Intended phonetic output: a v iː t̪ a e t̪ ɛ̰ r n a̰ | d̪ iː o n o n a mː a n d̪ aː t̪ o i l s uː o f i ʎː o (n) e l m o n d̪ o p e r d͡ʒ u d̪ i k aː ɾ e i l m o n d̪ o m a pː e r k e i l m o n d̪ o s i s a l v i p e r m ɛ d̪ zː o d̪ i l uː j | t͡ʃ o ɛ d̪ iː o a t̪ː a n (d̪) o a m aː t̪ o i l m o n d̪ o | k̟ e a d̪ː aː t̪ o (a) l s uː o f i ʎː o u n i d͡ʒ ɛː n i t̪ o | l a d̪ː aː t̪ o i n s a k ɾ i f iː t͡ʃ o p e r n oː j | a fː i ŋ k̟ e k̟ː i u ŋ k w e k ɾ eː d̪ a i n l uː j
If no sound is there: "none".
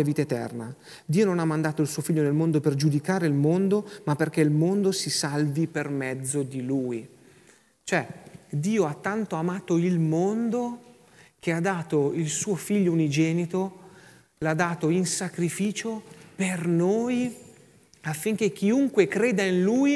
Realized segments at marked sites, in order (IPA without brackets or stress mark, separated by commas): n, t̪, i